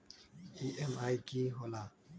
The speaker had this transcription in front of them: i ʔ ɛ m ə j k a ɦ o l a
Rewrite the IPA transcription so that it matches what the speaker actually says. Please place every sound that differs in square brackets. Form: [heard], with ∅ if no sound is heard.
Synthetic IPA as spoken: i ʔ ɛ m [a] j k [i] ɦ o l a